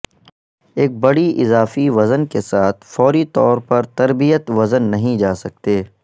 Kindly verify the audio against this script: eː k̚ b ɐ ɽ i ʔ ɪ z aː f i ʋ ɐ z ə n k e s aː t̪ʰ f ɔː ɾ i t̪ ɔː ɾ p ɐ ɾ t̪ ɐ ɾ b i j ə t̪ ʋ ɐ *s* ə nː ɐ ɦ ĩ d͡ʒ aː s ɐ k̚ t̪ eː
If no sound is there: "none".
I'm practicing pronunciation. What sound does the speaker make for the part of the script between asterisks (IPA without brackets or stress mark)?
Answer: z